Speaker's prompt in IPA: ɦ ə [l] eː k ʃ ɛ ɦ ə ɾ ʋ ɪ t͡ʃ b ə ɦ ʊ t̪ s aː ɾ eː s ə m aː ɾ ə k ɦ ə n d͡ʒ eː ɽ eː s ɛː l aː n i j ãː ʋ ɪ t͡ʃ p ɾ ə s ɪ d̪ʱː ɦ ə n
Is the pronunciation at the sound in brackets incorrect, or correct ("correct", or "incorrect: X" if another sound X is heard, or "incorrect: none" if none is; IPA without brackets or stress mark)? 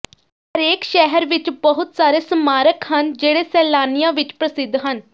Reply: incorrect: ɾ